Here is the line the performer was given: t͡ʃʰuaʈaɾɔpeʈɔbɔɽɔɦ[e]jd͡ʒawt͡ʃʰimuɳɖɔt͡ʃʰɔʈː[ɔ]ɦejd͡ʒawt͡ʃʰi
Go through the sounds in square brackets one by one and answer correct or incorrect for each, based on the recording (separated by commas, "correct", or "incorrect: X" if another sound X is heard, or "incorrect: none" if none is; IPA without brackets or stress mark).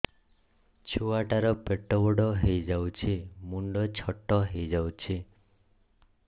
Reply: correct, correct